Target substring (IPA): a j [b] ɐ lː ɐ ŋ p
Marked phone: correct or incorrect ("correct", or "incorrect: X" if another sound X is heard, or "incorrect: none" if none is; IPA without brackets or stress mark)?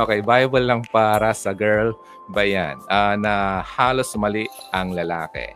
correct